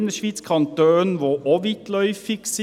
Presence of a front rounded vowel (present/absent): present